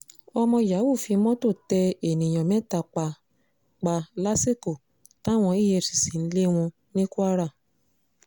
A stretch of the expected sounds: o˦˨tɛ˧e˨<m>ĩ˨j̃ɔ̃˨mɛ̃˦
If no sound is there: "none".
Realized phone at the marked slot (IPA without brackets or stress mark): n